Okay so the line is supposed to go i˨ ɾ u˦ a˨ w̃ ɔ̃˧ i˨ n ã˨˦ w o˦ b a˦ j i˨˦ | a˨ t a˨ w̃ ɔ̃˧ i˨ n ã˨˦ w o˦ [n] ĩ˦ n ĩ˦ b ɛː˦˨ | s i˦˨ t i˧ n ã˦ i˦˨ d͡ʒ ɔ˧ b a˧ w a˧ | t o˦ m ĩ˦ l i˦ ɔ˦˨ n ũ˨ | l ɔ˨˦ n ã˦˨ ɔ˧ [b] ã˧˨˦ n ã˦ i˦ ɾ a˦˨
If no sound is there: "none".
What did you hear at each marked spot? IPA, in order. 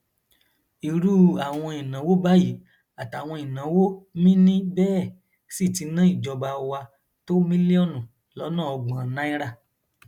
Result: m, ɡ͡b

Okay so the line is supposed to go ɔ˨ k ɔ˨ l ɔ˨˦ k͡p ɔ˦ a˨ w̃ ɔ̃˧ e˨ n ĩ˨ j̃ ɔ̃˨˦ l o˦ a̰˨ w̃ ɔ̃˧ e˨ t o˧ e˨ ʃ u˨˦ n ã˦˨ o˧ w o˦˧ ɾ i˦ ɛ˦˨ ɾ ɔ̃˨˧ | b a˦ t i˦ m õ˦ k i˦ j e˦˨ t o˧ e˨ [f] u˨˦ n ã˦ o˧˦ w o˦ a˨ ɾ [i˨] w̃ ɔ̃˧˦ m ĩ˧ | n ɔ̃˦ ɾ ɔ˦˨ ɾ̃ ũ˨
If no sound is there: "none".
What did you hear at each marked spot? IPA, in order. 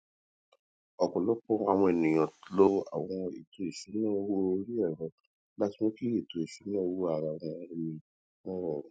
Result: ʃ, a˨

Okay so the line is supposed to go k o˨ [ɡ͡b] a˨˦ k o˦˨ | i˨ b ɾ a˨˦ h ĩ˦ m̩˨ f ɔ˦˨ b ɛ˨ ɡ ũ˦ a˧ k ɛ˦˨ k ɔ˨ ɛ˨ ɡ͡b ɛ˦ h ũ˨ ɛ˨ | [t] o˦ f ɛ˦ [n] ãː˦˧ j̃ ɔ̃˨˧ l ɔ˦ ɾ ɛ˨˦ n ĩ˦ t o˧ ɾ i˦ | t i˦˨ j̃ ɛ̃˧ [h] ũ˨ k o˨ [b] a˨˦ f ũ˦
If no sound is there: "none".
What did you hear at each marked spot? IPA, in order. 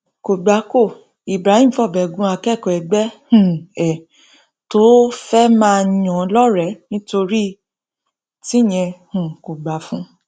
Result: ɡ͡b, t, m, h, ɡ͡b

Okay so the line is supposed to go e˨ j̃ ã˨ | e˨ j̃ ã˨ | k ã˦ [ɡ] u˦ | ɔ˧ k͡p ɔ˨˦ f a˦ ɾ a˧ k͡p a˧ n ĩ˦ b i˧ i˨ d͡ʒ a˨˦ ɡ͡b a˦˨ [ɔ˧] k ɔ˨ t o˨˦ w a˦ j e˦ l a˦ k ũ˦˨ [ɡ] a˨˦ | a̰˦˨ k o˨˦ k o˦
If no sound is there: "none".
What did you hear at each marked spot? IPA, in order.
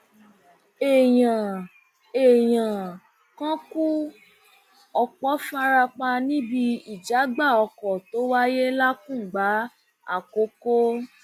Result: k, ɔ˧, ɡ͡b

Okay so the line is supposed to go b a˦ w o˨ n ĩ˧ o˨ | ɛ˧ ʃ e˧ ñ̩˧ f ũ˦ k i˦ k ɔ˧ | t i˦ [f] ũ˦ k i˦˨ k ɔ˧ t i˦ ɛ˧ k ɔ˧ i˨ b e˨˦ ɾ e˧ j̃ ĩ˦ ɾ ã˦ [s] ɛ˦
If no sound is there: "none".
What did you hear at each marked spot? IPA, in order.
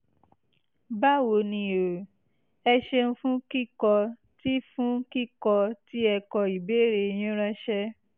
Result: f, ʃ

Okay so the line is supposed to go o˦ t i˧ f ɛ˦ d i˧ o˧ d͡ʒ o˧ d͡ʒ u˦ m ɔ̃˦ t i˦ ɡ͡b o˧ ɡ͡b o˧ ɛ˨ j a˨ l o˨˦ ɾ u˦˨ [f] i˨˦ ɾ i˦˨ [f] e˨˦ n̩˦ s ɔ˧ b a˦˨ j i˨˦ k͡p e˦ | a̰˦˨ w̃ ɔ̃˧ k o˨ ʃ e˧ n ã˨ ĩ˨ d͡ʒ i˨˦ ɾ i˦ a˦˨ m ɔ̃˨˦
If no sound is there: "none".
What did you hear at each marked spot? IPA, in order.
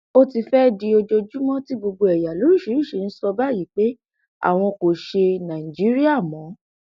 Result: ʃ, ʃ

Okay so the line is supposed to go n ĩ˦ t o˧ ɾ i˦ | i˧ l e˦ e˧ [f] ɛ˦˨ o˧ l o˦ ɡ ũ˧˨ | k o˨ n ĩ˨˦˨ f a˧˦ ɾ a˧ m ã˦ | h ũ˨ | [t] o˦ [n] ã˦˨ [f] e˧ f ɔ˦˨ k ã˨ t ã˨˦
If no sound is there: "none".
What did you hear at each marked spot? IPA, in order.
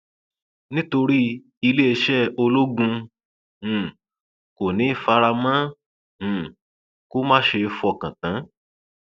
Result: ʃ, k, m, ʃ

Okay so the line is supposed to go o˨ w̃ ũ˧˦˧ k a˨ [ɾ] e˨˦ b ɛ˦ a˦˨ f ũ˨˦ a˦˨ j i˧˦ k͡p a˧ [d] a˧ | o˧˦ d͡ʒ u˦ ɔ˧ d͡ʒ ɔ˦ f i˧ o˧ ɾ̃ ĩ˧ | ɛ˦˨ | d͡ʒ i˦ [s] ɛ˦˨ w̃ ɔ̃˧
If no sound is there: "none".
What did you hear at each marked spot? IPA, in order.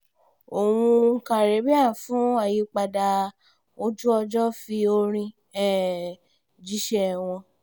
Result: ɾ, d, ʃ

